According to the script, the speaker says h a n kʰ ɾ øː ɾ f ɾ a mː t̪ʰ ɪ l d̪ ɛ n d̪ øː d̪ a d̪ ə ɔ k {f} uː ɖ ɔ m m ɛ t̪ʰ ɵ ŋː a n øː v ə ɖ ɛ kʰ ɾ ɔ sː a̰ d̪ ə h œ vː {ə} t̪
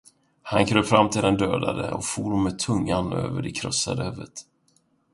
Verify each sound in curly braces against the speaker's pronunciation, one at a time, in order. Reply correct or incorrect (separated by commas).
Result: correct, correct